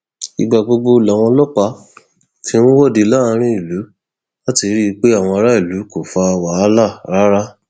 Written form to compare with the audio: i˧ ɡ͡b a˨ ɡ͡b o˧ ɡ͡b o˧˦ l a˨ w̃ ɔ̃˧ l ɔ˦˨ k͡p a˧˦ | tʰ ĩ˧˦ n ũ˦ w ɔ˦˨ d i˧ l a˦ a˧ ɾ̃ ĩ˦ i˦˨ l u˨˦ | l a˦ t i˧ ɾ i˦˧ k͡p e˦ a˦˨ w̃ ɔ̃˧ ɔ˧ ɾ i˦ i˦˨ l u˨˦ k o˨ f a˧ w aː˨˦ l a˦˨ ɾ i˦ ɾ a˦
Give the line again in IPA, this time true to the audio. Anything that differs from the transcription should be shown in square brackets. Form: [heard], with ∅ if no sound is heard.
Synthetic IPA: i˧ ɡ͡b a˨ ɡ͡b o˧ ɡ͡b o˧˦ l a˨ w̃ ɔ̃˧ l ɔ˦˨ k͡p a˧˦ | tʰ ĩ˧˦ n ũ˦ w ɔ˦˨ d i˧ l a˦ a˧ ɾ̃ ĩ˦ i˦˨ l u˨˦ | l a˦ t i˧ ɾ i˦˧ k͡p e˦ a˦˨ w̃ ɔ̃˧ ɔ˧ ɾ [a˦] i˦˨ l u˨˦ k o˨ f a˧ w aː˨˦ l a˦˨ ɾ [a˦] ɾ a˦